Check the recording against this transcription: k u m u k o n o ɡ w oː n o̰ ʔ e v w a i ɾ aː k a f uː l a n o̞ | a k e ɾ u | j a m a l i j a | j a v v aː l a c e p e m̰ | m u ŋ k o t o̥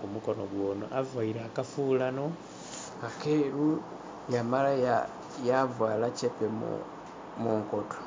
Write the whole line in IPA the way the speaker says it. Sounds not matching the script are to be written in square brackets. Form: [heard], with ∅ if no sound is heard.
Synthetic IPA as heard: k u m u k o n o ɡ w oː n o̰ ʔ [a] v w a i ɾ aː k a f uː l a n o̞ | a k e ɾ u | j a m a l [a] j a | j a v [w] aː l a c e p e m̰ | m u ŋ k o t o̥